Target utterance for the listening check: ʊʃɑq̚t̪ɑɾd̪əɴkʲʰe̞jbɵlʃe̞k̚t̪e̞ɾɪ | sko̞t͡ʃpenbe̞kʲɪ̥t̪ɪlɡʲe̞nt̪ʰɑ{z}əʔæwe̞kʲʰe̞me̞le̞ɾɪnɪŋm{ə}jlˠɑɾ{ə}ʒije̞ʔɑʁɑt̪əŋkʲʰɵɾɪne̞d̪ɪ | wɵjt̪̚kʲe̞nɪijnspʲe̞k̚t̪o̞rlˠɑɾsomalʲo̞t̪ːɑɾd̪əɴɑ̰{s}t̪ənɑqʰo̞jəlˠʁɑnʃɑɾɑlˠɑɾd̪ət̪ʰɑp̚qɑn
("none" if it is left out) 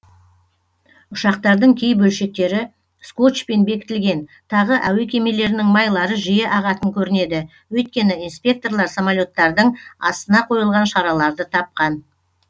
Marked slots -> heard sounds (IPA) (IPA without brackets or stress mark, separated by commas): ʁ, ɑ, ə, s